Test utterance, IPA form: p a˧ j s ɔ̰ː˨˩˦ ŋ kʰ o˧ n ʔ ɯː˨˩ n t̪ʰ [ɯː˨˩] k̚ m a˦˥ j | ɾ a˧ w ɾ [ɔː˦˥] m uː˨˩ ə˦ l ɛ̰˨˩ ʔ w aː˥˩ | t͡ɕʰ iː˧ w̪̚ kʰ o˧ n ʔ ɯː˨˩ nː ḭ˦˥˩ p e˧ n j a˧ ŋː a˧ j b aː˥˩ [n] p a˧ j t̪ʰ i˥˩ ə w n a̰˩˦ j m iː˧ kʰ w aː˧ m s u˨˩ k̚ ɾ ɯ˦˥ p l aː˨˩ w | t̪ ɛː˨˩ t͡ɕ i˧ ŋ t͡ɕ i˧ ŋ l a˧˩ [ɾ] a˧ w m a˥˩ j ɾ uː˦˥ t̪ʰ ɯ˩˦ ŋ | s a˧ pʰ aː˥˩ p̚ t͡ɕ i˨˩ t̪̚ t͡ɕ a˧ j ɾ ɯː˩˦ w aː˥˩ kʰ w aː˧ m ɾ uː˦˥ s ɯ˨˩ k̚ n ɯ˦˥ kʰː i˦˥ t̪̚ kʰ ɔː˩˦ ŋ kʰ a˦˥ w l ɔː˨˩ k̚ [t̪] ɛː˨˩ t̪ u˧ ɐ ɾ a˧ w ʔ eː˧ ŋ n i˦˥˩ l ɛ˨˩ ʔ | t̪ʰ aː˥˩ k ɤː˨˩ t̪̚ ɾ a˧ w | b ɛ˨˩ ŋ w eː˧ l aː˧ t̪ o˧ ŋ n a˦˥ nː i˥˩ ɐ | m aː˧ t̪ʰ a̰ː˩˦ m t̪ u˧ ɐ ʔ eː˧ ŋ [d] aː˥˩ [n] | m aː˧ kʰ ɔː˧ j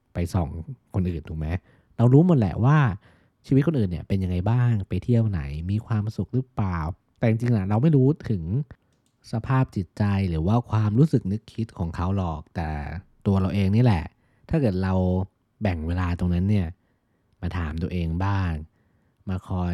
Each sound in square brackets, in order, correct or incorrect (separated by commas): incorrect, incorrect, incorrect, correct, correct, incorrect, incorrect